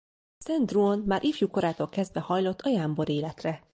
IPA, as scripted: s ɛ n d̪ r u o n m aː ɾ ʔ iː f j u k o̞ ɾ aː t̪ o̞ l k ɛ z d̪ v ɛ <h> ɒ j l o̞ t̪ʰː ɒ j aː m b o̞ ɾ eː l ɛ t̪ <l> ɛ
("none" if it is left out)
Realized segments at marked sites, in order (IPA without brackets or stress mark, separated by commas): h, r